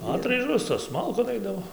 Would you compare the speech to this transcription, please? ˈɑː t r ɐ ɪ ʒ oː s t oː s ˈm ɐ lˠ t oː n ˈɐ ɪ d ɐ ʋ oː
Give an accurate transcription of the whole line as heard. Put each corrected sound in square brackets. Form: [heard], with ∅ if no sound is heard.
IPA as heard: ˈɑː t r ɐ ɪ ʒ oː s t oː s ˈm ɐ lˠ [k] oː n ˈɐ ɪ d ɐ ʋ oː

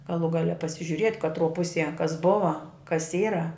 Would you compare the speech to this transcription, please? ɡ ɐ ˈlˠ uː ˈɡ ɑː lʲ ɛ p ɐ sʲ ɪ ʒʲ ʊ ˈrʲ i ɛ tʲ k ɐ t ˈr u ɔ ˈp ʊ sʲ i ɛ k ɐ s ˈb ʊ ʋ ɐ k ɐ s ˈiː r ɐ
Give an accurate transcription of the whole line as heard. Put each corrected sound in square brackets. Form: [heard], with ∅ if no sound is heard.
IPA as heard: ɡ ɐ ˈlˠ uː ˈɡ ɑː lʲ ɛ p ɐ sʲ ɪ ʒʲ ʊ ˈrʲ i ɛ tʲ k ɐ t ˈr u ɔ ˈp ʊ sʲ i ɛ k ɐ s ˈb ʊ ʋ ɐ k ɐ s ˈiː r ɐ

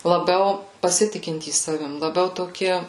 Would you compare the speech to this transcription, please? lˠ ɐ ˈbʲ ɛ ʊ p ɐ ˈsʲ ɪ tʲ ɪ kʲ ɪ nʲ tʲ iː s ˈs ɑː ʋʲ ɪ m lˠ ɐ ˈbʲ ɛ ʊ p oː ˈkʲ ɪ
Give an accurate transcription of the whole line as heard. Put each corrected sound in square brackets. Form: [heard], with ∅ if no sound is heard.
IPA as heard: lˠ ɐ ˈbʲ ɛ ʊ p ɐ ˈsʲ ɪ tʲ ɪ kʲ ɪ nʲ tʲ iː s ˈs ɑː ʋʲ ɪ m lˠ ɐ ˈbʲ ɛ ʊ [t] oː ˈkʲ ɪ

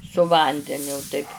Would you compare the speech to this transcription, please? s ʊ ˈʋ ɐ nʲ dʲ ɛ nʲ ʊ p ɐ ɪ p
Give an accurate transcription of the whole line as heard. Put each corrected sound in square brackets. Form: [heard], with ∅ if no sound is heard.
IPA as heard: s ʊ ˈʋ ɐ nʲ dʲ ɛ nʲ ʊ [t] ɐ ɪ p

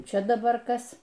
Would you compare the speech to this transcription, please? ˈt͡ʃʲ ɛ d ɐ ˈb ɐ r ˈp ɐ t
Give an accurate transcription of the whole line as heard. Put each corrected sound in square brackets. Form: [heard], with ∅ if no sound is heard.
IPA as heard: ˈt͡ʃʲ ɛ d ɐ ˈb ɐ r [ˈk] ɐ [s]

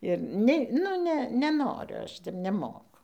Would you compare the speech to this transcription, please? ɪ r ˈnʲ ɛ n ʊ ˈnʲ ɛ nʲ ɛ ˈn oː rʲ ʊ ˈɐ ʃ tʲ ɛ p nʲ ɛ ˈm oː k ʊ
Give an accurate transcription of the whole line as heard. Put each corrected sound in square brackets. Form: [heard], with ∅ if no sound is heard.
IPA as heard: ɪ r ˈnʲ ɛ n ʊ ˈnʲ ɛ nʲ ɛ ˈn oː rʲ ʊ ˈɐ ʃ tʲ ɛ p nʲ ɛ ˈm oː k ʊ

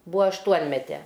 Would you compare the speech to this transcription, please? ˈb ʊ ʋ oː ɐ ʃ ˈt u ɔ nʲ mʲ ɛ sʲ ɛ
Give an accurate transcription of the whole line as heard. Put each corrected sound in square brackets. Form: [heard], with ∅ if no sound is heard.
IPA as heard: ˈb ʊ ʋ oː ɐ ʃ ˈt u ɔ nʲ mʲ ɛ [tʲ] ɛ

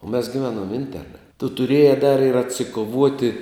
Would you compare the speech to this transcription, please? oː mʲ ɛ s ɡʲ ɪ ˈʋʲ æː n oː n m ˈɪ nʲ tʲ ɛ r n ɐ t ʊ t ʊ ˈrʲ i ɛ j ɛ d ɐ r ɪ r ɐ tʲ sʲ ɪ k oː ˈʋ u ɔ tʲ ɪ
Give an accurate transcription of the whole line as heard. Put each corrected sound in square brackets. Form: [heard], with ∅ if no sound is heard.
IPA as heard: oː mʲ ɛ s ɡʲ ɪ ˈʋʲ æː n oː [∅] m ˈɪ nʲ tʲ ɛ r n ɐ t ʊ t ʊ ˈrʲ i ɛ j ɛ d ɐ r ɪ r ɐ tʲ sʲ ɪ k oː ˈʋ u ɔ tʲ ɪ

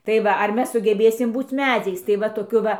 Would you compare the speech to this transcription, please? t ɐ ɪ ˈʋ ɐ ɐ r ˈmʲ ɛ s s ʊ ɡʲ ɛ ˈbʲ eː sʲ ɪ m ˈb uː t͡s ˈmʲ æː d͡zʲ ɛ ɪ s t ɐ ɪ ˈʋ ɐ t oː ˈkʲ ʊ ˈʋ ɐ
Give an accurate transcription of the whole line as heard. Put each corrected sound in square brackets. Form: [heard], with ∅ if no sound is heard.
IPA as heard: t ɐ ɪ ˈʋ ɐ ɐ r ˈmʲ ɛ s s ʊ ɡʲ ɛ ˈbʲ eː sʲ ɪ m ˈb uː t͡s ˈmʲ æː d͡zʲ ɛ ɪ s t ɐ ɪ ˈʋ ɐ t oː ˈkʲ ʊ ˈʋ ɐ

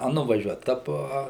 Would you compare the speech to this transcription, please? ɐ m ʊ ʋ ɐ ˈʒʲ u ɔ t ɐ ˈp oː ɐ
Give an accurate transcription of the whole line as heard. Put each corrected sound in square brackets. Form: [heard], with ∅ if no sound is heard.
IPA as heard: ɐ [n] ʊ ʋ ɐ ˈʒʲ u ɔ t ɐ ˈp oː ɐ

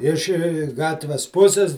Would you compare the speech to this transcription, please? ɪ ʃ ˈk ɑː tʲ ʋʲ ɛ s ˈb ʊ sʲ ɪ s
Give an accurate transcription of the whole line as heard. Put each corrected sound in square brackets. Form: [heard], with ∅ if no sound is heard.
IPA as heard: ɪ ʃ [ˈɡ] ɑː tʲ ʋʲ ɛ s [ˈp] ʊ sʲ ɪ s

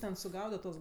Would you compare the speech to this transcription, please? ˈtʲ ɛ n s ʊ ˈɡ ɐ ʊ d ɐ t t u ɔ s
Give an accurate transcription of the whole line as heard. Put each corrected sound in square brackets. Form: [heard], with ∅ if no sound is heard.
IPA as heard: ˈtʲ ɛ n s ʊ ˈɡ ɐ ʊ d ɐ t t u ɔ s

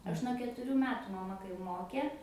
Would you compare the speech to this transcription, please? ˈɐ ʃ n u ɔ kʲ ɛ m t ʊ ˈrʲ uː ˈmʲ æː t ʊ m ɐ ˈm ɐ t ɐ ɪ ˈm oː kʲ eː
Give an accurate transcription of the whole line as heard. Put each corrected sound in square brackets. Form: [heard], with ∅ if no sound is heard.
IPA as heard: ˈɐ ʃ n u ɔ kʲ ɛ [∅] t ʊ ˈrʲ uː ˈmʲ æː t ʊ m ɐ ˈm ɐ [k] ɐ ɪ ˈm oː kʲ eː

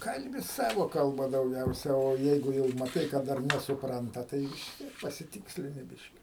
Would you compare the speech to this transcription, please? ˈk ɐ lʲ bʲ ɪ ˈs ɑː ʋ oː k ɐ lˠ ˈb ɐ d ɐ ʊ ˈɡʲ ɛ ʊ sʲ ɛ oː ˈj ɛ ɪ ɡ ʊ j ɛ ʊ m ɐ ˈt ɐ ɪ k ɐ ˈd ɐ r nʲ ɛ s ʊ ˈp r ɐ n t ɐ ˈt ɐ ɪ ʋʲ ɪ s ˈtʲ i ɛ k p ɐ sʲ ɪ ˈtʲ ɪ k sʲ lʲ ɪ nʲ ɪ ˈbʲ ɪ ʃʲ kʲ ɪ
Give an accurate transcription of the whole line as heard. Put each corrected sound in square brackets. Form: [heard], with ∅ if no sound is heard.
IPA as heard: ˈk ɐ lʲ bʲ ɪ ˈs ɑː ʋ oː k ɐ lˠ ˈb ɐ d ɐ ʊ ˈɡʲ ɛ ʊ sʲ ɛ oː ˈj ɛ ɪ ɡ ʊ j ɛ ʊ m ɐ ˈt ɐ ɪ k ɐ ˈd ɐ r nʲ ɛ s ʊ ˈp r ɐ n t ɐ ˈt ɐ ɪ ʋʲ ɪ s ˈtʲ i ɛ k p ɐ sʲ ɪ ˈtʲ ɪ k sʲ lʲ ɪ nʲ ɪ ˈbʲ ɪ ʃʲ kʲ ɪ

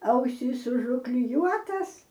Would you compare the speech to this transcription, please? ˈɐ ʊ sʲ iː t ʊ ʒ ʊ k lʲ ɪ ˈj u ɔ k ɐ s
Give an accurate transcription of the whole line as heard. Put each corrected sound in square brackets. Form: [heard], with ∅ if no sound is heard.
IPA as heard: ˈɐ ʊ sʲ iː [s] ʊ ʒ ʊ k lʲ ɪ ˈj u ɔ [t] ɐ s

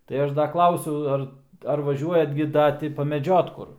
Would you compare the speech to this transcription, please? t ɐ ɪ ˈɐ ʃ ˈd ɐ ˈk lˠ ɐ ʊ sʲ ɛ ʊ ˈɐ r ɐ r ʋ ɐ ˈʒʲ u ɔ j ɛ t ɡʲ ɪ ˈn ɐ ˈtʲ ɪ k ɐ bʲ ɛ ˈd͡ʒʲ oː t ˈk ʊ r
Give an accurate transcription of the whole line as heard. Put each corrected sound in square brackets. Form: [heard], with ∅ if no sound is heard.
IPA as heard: t ɐ ɪ ˈɐ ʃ ˈd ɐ ˈk lˠ ɐ ʊ sʲ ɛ ʊ ˈɐ r ɐ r ʋ ɐ ˈʒʲ u ɔ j ɛ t ɡʲ ɪ [ˈd] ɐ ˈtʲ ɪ [p] ɐ [mʲ] ɛ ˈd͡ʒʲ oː t ˈk ʊ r

